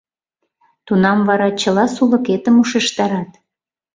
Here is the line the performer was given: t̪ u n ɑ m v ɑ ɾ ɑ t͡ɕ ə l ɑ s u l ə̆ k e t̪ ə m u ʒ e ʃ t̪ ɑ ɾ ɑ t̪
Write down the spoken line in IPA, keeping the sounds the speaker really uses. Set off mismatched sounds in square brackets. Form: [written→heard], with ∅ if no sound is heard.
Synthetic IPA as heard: t̪ u n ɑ m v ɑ ɾ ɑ t͡ɕ ə l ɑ s u l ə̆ k e t̪ ə m u [ʒ→ʃ] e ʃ t̪ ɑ ɾ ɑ t̪